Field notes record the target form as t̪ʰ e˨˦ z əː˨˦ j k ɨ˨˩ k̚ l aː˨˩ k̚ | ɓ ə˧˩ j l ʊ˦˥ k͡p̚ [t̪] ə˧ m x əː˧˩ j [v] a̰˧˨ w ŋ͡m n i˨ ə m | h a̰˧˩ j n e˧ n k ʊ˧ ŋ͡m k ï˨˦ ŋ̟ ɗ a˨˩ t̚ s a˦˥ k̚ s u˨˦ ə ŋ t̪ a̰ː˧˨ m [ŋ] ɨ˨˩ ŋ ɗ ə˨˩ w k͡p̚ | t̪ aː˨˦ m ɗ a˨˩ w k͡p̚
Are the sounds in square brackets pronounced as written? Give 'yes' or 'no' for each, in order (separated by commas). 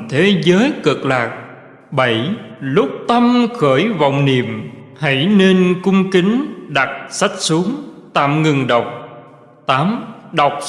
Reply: yes, yes, yes